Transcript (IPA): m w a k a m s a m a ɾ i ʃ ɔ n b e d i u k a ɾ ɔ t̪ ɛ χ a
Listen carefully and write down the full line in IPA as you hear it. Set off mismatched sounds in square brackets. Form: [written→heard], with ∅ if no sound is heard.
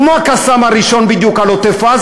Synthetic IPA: m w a k a [m→∅] s a m a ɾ i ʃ ɔ n b [e→i] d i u k a [ɾ→l] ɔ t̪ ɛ [χ→f] a

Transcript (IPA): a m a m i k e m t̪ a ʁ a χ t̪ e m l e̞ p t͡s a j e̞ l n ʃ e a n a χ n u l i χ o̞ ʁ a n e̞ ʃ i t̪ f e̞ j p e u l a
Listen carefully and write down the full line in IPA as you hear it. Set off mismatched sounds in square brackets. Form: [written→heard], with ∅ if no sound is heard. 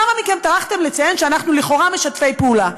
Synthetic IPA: a m a m i k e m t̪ a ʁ a χ t̪ e m l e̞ [p→∅] t͡s a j e̞ [l→∅] n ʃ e a n a χ n u l i χ o̞ ʁ a [n→m] e̞ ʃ [i→a] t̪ f e̞ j p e u l a

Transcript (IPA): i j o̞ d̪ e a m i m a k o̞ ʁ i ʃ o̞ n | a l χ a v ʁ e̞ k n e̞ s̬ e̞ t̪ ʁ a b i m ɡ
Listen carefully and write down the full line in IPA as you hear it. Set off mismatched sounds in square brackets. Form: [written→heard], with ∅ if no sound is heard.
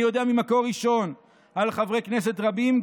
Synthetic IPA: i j o̞ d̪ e a m i m a k o̞ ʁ i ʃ o̞ n | a l χ a v ʁ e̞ k n e̞ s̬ e̞ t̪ ʁ a b i m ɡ

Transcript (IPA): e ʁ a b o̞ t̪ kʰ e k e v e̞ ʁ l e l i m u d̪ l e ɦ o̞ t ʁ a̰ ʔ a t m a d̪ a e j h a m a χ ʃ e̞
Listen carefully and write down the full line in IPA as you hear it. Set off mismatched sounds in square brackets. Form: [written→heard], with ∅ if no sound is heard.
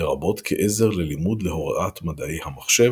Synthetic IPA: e ʁ a b o̞ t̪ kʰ e [k→ʔ] e [v→z] e̞ ʁ l e l i m u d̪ l e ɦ o̞ [t→∅] ʁ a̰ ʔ a t m a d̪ a e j h a m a χ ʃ e̞

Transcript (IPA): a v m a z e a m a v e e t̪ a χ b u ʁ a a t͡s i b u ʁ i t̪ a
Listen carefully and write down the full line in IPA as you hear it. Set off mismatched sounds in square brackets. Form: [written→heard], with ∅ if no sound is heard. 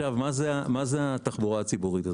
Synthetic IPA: a v m a z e a m a [v→z] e [e→a] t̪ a χ b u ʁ a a t͡s i b u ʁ i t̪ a

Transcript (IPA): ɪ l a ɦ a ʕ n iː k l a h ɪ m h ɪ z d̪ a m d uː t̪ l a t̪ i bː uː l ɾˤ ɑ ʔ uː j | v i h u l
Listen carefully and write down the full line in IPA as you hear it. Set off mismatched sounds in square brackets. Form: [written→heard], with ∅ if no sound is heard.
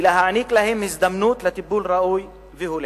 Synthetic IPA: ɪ l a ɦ a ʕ n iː k l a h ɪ m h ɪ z d̪ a m [d→n] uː t̪ l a t̪ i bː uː l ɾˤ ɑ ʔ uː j | v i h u l

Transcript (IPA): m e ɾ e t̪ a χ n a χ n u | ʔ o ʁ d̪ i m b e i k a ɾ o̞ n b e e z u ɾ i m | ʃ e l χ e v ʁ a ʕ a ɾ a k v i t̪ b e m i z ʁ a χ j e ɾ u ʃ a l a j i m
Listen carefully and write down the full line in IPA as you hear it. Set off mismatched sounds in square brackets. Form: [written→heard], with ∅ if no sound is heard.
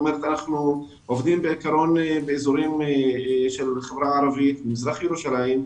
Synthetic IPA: m e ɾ e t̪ a [χ→∅] n a χ n u | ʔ o [ʁ→v] d̪ i m b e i k a ɾ o̞ n b e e z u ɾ i m | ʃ e l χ e v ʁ a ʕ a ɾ a [k→∅] v i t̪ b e m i z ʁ a χ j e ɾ u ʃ a l a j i m

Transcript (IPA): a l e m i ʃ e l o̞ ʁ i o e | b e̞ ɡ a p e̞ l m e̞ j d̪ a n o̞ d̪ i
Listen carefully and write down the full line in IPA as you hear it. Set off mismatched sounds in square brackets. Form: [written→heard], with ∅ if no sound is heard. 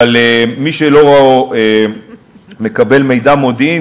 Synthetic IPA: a l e m i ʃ e l o̞ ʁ [i→a] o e | [b→m] e̞ [ɡ→k] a [p→b] e̞ l m e̞ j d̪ a [n→m] o̞ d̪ i

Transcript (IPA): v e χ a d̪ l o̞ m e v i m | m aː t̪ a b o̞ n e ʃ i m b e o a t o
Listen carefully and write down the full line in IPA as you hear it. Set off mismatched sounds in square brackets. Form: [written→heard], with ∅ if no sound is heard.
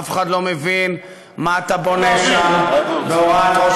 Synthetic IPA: [v→f] e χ a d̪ l o̞ m e v i [m→n] | m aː t̪ a b o̞ n e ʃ [i→a] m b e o a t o

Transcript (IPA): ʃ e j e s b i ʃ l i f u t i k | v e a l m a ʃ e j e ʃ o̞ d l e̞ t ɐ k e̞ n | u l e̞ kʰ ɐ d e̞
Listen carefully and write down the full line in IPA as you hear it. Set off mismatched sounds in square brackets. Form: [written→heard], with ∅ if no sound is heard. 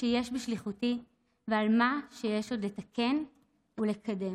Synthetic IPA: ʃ e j e [s→ʃ] b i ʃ l i [f→χ] u t i [k→∅] | v e a l m a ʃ e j e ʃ o̞ d l e̞ t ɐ k e̞ n | u l e̞ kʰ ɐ d e̞

